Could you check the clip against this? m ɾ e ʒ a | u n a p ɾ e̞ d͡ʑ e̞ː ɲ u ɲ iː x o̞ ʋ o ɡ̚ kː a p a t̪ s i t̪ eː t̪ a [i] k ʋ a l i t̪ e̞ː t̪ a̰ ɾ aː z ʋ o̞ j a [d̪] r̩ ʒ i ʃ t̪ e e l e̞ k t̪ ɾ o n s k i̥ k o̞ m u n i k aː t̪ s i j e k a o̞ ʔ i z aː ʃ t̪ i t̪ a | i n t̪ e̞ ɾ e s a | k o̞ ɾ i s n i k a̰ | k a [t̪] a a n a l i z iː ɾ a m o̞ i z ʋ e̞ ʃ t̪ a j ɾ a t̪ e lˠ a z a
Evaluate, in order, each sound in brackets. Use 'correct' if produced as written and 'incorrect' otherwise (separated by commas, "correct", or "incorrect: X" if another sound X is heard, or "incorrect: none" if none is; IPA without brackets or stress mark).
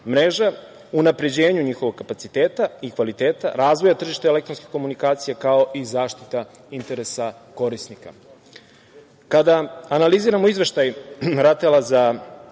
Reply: correct, incorrect: t̪, incorrect: d̪